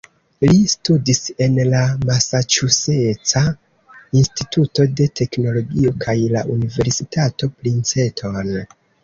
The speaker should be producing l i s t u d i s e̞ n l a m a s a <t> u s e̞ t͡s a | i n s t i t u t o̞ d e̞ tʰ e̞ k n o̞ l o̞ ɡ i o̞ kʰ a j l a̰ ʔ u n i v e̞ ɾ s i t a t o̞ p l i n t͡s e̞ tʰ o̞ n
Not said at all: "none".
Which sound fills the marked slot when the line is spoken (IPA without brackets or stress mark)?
t͡ʃ